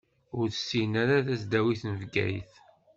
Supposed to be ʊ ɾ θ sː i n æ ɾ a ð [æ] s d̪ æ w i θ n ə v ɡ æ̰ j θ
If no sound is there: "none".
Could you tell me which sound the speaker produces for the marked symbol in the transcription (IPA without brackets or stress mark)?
æ